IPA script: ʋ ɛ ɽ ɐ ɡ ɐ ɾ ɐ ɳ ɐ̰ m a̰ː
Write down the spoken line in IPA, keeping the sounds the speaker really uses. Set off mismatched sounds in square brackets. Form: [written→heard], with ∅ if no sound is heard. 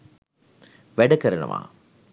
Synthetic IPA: ʋ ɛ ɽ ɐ [ɡ→k] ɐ ɾ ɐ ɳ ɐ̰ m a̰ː